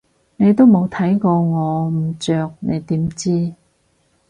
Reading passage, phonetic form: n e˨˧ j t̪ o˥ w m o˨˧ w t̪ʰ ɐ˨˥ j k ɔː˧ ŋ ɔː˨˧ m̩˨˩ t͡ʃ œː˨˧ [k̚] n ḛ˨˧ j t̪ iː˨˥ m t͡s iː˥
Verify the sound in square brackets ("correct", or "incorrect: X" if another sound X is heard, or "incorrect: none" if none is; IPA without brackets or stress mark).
correct